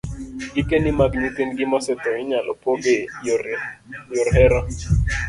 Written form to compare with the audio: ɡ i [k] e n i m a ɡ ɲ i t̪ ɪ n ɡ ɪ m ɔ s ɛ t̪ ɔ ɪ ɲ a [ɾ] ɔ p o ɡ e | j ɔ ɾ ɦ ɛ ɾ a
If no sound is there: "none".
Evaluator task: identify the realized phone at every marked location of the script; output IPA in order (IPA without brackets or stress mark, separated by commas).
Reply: k, l